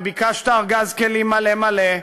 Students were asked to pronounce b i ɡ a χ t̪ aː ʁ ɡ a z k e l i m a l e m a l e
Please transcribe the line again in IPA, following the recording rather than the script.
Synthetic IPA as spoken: b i k a ʃ t̪ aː ʁ ɡ a z k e l i m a l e m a l e

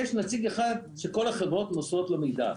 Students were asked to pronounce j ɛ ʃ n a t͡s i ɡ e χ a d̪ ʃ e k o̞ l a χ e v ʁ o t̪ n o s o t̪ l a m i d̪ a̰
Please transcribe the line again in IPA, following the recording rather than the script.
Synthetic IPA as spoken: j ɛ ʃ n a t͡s i ɡ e χ a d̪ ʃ e k o̞ l a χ e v ʁ o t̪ n o s o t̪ l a m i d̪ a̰

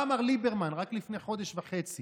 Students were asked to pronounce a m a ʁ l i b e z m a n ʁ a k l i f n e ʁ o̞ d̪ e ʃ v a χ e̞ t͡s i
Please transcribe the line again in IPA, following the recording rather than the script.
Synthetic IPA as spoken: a m a ʁ l i b e ʁ m a n ʁ a k l i f n e χ o̞ d̪ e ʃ v a χ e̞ t͡s i

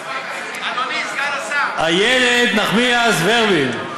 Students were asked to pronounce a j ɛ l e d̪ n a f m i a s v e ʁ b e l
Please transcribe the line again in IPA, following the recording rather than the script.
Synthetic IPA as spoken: a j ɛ l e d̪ n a χ m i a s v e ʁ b i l

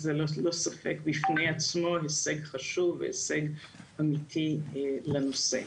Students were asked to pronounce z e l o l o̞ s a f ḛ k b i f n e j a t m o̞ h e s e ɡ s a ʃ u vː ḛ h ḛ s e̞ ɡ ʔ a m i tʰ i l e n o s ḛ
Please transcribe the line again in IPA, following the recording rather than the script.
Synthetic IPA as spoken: z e l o l o̞ s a f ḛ k b i f n e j a t͡s m o̞ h e s e ɡ χ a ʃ u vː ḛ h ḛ s e̞ ɡ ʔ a m i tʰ i l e n o s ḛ

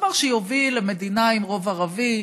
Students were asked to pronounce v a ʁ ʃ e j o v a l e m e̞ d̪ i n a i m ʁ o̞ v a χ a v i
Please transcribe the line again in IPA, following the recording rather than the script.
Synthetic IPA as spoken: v a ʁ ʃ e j o v i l e m e̞ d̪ i n a i m ʁ o̞ v a ʁ a v i

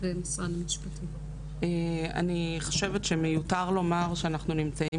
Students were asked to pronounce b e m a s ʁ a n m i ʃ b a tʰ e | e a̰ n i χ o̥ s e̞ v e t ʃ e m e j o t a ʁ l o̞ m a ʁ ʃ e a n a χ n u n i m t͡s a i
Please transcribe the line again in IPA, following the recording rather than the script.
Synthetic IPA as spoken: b e m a s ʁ a n m i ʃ p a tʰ i | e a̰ n i χ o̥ ʃ e̞ v e t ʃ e m e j u t a ʁ l o̞ m a ʁ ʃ e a n a χ n u n i m t͡s a i

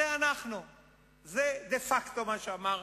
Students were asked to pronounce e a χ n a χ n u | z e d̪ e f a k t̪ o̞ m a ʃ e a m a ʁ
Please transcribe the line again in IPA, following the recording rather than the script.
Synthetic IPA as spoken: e a n a χ n u | z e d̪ e f a k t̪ o̞ m a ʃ e a m a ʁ

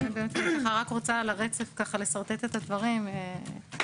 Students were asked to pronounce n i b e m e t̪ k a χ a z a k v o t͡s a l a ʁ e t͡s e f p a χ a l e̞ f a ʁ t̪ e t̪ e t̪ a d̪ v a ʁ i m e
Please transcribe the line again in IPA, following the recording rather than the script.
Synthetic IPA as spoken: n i b e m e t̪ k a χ a ʁ a k ʁ o t͡s a l a ʁ e t͡s e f k a χ a l e̞ s a ʁ t̪ e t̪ e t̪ a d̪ v a ʁ i m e

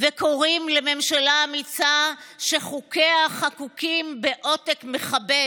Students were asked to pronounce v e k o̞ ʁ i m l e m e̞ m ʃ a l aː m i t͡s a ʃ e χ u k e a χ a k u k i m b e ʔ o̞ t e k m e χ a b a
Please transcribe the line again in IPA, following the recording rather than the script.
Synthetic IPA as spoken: v e k o̞ ʁ i m l e m e̞ m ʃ a l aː m i t͡s a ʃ e χ u k e a χ a k u k i m b e ʔ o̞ t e k m e χ a b e

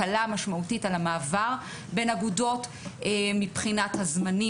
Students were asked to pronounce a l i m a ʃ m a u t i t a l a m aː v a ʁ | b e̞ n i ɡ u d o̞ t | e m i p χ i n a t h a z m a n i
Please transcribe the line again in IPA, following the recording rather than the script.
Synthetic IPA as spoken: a l a m a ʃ m a u t i t a l a m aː v a ʁ | b e̞ n a ɡ u d o̞ t | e m i p χ i n a t h a z m a n i

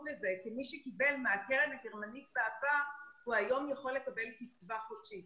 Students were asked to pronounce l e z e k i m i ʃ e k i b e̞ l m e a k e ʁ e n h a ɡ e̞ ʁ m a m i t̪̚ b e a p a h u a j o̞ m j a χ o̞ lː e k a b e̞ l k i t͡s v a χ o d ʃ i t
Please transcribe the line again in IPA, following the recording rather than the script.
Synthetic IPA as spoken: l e z e k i m i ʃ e k i b e̞ l m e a k e ʁ e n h a ɡ e̞ ʁ m a n i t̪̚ b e a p a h u a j o̞ m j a χ o̞ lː e k a b e̞ l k i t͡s v a χ o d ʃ i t

